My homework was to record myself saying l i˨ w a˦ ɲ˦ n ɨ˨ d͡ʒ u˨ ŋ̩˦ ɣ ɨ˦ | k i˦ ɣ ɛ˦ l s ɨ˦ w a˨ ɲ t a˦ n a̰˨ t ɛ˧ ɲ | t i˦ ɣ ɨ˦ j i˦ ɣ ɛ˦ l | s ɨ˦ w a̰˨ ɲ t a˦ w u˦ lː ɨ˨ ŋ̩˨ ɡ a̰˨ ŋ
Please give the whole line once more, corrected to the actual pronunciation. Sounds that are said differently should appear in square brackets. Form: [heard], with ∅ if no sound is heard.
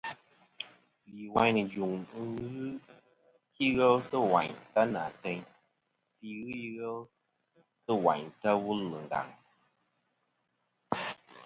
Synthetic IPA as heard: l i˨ w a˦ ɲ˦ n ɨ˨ d͡ʒ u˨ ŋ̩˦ ɣ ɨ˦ | k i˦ ɣ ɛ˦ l s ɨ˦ w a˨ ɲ t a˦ n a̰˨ t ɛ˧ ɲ | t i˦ ɣ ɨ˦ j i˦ ɣ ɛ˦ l | s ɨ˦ w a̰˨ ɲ t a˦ w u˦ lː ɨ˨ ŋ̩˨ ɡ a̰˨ ŋ